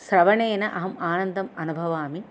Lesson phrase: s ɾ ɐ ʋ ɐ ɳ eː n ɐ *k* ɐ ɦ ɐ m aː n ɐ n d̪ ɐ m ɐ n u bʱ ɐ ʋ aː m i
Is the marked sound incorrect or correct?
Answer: incorrect